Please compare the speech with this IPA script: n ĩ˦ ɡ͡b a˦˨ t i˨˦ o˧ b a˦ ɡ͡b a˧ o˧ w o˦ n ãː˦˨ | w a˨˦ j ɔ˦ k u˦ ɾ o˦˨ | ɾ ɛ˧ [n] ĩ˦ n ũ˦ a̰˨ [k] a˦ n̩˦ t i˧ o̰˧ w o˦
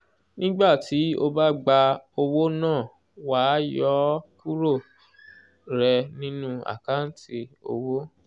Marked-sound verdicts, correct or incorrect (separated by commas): correct, correct